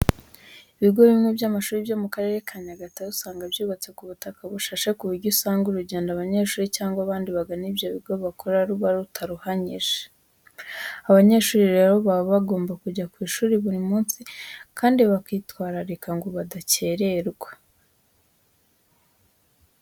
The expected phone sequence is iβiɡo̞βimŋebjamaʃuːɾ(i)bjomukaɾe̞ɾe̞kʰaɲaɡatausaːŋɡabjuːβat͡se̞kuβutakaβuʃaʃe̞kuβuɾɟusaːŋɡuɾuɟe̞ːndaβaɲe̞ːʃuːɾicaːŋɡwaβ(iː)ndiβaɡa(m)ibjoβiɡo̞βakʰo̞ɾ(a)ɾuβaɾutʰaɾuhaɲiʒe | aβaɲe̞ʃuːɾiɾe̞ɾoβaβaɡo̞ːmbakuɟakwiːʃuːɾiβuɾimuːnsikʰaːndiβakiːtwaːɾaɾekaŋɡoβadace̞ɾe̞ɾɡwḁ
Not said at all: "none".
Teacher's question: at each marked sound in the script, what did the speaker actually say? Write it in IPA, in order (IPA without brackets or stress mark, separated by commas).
i, aː, n, a